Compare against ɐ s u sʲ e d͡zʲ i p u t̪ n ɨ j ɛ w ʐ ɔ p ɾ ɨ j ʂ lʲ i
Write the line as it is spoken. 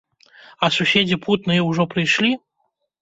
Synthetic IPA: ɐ s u sʲ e d͡zʲ i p u t̪ n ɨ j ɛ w ʐ ɔ p ɾ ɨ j ʂ lʲ i